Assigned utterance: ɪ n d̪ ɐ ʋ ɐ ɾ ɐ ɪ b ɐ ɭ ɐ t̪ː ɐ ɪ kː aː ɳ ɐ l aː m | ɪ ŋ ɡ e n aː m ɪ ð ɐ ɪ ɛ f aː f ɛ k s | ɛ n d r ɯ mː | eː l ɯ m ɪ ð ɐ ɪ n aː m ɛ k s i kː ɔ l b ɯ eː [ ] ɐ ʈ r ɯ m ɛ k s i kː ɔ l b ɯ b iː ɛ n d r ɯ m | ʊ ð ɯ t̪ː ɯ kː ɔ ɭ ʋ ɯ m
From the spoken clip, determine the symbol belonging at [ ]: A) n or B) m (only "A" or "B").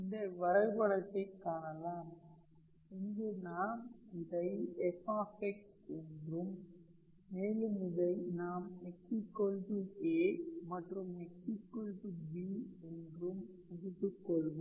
B